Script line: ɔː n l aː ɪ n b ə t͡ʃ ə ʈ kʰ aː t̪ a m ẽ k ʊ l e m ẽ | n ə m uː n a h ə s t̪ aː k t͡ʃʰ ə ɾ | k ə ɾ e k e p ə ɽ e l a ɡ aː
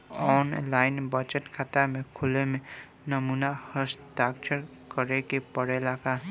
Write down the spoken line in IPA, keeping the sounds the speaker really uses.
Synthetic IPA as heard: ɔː n l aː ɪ n b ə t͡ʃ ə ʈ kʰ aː t̪ a m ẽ kʰ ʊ l e m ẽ | n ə m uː n a h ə s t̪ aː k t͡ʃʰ ə ɾ | k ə ɾ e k e p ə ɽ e l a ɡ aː